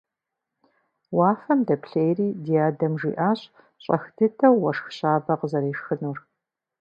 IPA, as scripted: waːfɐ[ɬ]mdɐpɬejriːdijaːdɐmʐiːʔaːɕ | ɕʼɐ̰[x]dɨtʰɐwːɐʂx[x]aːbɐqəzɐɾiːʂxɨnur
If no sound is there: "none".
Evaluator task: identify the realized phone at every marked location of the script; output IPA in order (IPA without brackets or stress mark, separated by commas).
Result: none, x, ɕ